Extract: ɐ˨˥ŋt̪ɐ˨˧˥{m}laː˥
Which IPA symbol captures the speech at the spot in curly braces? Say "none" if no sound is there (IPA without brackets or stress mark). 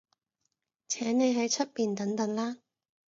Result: ŋ